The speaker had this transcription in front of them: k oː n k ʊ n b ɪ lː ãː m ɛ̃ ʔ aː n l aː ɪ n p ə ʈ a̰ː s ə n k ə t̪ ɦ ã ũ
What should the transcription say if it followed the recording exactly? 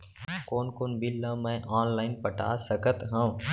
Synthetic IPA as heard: k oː n k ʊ n b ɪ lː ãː m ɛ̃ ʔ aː n l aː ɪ n p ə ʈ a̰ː s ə k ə t̪ ɦ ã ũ